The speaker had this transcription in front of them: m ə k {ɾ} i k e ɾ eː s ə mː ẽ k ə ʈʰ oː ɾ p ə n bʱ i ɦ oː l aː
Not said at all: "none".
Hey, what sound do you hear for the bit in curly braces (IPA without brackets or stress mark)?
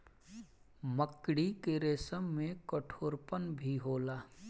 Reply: ɽ